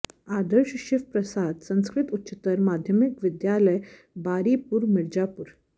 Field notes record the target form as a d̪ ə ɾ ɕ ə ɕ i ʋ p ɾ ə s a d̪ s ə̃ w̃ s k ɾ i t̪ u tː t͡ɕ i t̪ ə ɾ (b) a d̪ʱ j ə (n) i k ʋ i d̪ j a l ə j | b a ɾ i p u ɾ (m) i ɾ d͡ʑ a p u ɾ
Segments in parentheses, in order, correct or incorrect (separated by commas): incorrect, incorrect, correct